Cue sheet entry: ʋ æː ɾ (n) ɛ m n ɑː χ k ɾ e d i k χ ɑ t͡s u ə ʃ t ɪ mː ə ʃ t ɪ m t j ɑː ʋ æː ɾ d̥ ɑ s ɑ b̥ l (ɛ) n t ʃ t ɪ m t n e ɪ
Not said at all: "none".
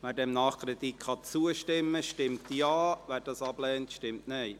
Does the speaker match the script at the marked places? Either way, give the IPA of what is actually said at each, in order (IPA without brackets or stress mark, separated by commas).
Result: d, ɛː